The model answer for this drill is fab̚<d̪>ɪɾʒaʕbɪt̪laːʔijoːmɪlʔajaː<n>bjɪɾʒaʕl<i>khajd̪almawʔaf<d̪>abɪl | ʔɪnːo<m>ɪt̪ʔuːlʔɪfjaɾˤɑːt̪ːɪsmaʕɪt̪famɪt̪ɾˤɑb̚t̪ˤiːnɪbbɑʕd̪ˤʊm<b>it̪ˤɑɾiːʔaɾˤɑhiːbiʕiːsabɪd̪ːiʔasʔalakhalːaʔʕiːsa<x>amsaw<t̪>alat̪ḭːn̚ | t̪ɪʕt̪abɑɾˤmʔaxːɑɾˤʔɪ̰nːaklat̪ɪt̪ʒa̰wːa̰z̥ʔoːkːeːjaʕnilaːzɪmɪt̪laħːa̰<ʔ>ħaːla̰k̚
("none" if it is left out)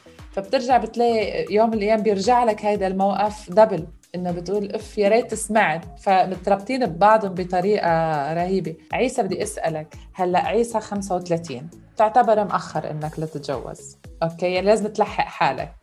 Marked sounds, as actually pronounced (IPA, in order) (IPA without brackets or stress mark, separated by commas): t̪, m, a, d̪, b, b, x, t̪, ʔ